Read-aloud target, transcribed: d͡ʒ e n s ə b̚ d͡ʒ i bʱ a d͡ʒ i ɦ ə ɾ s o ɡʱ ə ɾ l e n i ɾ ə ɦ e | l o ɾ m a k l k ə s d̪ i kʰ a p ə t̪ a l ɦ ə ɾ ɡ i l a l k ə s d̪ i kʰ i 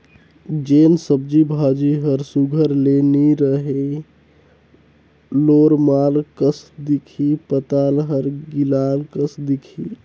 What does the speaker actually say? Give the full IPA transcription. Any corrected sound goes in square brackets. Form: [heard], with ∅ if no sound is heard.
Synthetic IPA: d͡ʒ e n s ə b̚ d͡ʒ i bʱ a d͡ʒ i ɦ ə ɾ s [u] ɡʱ ə ɾ l e n i ɾ ə ɦ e | l o ɾ m a [∅] l k ə s d̪ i kʰ [i] p ə t̪ a l ɦ ə ɾ ɡ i l a l k ə s d̪ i kʰ i